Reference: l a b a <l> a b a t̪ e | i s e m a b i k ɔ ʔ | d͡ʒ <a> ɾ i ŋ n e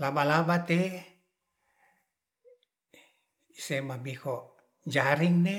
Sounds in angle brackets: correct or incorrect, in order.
correct, correct

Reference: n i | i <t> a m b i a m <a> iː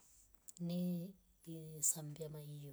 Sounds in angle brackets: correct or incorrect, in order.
incorrect, correct

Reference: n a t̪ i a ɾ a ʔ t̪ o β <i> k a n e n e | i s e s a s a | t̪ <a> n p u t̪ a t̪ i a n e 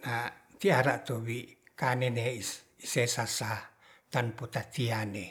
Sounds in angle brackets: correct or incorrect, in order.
correct, correct

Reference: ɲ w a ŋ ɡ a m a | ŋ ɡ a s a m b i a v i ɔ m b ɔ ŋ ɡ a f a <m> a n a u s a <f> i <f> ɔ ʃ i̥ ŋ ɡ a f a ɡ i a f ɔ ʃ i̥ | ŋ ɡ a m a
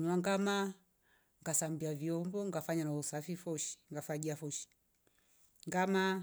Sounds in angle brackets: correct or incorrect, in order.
incorrect, correct, correct

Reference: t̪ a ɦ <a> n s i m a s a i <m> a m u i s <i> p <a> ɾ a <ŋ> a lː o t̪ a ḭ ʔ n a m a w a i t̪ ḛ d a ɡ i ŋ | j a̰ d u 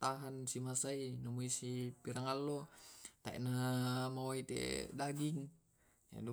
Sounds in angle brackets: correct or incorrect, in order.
correct, incorrect, correct, incorrect, correct

